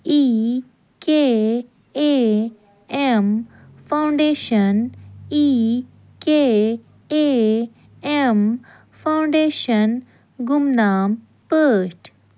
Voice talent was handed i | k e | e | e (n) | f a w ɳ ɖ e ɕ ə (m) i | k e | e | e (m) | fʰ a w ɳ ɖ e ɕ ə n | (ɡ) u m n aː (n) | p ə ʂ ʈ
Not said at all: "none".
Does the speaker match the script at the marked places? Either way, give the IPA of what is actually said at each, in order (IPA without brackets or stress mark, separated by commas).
m, n, m, ɡ, m